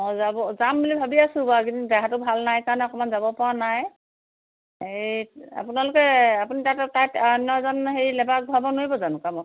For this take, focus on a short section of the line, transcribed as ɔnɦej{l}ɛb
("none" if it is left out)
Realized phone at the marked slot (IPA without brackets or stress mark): l